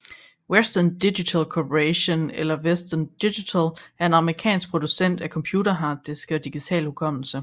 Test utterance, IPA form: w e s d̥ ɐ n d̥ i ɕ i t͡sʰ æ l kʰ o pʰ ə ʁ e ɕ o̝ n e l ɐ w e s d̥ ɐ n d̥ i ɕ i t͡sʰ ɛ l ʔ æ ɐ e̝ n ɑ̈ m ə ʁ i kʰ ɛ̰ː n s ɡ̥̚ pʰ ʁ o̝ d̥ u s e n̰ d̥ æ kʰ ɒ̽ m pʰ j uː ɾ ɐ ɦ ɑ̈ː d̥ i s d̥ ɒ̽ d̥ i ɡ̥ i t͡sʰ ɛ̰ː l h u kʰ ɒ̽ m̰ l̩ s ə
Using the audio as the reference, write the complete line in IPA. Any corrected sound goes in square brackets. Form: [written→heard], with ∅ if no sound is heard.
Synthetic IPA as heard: w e s d̥ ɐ n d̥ i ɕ i t͡sʰ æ l kʰ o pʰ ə ʁ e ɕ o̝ n e l ɐ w e s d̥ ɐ n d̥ i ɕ i t͡sʰ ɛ l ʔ æ ɐ e̝ n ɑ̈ m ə ʁ i kʰ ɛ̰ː n s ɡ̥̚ pʰ ʁ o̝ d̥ u s e n̰ d̥ æ kʰ ɒ̽ m pʰ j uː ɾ ɐ ɦ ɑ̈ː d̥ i s [d̥→ɡ̥] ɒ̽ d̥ i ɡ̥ i t͡sʰ ɛ̰ː l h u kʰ ɒ̽ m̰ l̩ s ə